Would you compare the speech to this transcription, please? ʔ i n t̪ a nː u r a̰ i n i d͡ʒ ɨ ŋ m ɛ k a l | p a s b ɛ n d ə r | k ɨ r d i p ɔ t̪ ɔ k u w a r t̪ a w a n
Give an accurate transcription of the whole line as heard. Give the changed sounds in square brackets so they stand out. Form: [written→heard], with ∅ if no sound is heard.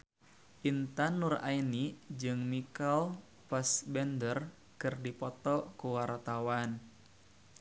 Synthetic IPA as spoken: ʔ i n t̪ a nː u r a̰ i n i d͡ʒ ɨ ŋ m [ɛ→i] k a l | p a s b ɛ n d ə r | k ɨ r d i p ɔ t̪ ɔ k u w a r t̪ a w a n

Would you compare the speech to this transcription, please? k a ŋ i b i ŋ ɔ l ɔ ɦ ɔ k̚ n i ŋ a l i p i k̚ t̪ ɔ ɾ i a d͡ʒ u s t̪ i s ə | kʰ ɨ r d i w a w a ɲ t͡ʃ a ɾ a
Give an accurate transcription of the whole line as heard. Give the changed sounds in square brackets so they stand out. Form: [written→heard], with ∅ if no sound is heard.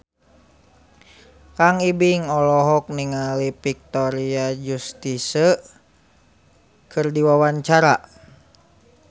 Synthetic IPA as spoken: k a ŋ i b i ŋ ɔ l ɔ ɦ ɔ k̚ n i ŋ a l i p i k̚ t̪ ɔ ɾ i a d͡ʒ u s t̪ i s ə | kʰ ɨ r d i w a w a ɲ t͡ʃ a ɾ a

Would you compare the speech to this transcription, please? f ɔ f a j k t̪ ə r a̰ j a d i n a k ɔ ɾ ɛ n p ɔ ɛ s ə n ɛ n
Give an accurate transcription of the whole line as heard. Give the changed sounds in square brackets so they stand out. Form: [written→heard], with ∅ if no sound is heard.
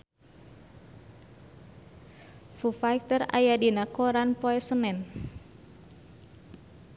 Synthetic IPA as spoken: f [ɔ→u] f a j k t̪ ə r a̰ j a d i n a k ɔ ɾ [ɛ→a] n p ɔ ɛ s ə n ɛ n

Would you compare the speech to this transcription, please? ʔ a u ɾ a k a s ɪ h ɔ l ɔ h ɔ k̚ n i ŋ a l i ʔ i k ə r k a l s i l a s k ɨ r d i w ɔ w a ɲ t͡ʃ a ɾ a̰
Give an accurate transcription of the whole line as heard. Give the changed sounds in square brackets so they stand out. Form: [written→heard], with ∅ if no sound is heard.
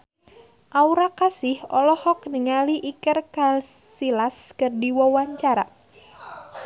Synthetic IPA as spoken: ʔ a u ɾ a k a s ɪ h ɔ l ɔ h ɔ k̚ n i ŋ a l i ʔ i k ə r k a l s i l a s k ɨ r d i w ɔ w a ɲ t͡ʃ a ɾ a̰

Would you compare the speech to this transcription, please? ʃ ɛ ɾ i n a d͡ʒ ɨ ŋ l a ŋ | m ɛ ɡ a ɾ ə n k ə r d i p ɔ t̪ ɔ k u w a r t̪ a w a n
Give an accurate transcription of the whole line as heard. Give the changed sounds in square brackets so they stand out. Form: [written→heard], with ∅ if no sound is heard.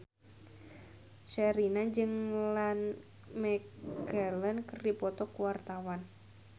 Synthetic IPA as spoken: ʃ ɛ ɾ i n a d͡ʒ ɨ ŋ l a [ŋ→n] | m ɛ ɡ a [ɾ→l] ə n k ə r d i p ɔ t̪ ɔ k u w a r t̪ a w a n

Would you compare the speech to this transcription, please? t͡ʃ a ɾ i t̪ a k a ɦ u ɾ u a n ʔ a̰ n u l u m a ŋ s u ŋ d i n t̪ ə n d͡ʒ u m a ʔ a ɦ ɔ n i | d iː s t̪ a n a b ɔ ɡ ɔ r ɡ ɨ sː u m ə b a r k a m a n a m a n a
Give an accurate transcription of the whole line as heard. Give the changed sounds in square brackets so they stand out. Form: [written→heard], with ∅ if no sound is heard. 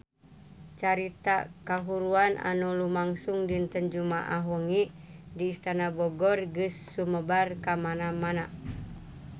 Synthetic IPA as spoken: t͡ʃ a ɾ i t̪ a k a ɦ u ɾ u a n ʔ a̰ n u l u m a ŋ s u ŋ d i n t̪ ə n d͡ʒ u m a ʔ a ɦ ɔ [n→ŋ] i | d iː s t̪ a n a b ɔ ɡ ɔ r ɡ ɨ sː u m ə b a r k a m a n a m a n a

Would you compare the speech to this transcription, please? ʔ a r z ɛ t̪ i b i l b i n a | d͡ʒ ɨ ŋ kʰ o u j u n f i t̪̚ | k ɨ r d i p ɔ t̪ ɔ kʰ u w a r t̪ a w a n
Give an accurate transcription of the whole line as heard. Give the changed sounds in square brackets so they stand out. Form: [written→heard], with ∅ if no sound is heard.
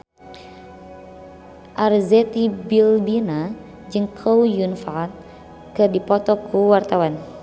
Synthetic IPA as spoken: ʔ a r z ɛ t̪ i b i l b i n a | d͡ʒ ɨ ŋ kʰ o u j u n f [i→a] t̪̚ | k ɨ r d i p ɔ t̪ ɔ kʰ u w a r t̪ a w a n

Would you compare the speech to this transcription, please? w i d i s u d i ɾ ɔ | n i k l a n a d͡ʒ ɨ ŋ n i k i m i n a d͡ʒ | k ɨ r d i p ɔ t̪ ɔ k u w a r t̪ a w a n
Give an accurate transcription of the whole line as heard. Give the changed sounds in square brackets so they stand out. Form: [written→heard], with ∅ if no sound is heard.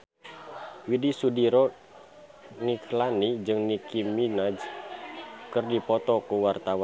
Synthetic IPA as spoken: w i d i s u d i ɾ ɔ | n i k l a n [a→i] d͡ʒ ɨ ŋ n i k i m i n a d͡ʒ | k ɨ r d i p ɔ t̪ ɔ k u w a r t̪ a w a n

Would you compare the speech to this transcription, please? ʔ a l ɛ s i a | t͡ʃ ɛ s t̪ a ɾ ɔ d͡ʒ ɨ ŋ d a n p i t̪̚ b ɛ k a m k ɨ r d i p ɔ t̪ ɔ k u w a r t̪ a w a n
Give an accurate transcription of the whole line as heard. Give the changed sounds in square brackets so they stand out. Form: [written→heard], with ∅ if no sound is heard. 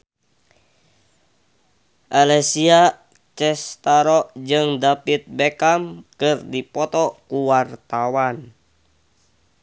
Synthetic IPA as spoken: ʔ a l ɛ s i a | t͡ʃ ɛ s t̪ a ɾ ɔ d͡ʒ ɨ ŋ d a [n→∅] p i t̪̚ b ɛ k a m k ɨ r d i p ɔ t̪ ɔ k u w a r t̪ a w a n

